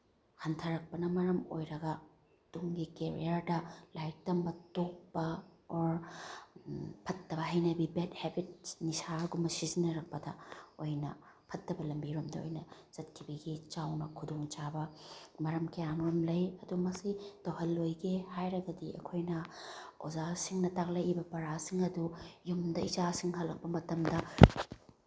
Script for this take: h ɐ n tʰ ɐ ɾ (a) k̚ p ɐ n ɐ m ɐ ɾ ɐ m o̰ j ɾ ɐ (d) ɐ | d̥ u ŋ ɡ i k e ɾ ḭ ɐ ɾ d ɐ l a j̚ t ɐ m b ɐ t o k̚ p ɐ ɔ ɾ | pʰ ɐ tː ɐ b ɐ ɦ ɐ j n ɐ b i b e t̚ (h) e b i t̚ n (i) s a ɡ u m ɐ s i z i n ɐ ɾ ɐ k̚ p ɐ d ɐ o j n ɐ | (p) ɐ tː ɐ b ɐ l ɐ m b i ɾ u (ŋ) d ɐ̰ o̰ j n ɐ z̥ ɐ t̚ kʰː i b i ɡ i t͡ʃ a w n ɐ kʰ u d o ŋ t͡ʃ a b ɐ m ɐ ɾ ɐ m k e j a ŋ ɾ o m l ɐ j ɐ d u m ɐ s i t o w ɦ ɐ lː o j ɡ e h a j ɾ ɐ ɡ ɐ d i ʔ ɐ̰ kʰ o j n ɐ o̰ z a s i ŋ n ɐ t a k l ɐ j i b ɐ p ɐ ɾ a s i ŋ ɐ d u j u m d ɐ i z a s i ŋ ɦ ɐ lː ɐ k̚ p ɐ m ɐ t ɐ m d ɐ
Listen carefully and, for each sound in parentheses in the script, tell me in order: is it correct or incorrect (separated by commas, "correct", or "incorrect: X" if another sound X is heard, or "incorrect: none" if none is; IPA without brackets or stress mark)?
incorrect: ɐ, incorrect: ɡ, correct, correct, incorrect: pʰ, incorrect: m